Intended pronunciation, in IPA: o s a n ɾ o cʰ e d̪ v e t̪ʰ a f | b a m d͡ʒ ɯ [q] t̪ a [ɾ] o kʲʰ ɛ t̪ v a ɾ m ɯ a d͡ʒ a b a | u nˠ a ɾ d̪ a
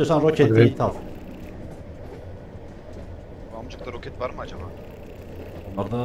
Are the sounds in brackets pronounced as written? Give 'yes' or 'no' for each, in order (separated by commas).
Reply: no, yes